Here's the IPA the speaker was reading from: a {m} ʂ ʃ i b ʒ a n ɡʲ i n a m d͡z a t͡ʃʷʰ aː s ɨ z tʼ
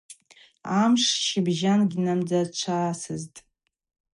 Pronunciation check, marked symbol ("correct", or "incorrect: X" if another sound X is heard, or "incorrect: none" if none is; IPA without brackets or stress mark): correct